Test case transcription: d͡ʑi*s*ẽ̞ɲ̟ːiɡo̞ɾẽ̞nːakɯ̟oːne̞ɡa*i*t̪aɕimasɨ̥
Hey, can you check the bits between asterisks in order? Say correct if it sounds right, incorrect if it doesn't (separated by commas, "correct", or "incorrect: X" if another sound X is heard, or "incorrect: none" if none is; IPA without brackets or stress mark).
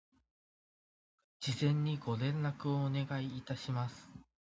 incorrect: z, incorrect: iː